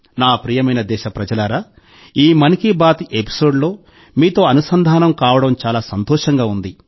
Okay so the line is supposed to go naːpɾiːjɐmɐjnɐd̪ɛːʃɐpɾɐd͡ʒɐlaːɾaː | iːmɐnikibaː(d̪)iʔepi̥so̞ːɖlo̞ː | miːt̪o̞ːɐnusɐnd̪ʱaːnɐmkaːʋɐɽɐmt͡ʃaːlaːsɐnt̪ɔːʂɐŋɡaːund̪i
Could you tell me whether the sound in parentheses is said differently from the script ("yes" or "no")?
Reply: yes